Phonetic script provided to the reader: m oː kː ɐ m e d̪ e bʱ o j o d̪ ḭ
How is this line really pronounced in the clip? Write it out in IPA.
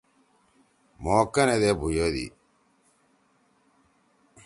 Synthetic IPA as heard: m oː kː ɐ n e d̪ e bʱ u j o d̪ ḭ